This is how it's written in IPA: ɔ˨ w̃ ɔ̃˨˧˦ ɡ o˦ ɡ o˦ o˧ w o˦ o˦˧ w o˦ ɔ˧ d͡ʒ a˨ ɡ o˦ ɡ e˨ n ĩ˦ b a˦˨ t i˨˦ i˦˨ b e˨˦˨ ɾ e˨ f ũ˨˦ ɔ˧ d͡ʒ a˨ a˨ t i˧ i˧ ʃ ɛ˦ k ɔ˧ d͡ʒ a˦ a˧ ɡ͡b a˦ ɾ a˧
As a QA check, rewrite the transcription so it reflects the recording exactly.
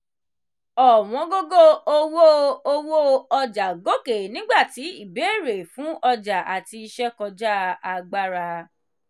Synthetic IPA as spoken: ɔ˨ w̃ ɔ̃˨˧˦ ɡ o˦ ɡ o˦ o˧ w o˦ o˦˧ w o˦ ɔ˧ d͡ʒ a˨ ɡ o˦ k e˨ n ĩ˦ ɡ͡b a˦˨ t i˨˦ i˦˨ b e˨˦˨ ɾ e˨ f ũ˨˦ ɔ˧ d͡ʒ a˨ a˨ t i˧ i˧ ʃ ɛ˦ k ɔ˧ d͡ʒ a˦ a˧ ɡ͡b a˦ ɾ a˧